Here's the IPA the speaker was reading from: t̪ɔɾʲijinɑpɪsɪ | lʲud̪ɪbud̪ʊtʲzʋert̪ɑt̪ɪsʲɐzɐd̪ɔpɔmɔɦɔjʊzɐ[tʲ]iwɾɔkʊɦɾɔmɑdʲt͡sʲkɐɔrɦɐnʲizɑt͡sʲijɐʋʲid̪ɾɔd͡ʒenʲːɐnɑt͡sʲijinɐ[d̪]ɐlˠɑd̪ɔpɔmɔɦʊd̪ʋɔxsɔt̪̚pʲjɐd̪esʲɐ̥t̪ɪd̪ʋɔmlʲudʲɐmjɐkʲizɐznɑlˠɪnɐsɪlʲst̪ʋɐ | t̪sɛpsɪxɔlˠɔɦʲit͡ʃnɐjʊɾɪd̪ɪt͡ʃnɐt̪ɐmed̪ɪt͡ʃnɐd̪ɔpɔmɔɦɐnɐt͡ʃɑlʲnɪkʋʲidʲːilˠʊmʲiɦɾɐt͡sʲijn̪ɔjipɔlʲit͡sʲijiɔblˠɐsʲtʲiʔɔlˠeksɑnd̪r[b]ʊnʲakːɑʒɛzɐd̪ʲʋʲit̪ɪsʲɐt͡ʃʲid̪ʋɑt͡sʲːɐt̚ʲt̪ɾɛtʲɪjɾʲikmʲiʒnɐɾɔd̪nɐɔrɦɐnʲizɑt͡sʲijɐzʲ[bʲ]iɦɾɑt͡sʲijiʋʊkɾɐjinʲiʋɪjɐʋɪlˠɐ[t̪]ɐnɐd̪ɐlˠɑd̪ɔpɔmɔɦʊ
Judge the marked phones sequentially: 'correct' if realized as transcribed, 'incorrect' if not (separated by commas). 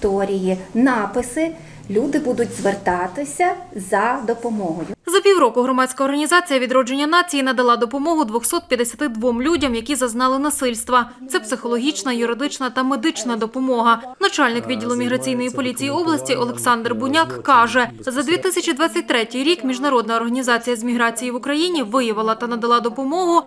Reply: incorrect, correct, correct, incorrect, correct